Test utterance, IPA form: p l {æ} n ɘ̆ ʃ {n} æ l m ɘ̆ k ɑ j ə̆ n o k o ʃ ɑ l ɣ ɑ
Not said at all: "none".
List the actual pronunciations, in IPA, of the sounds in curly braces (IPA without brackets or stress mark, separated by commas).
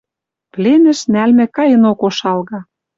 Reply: e, n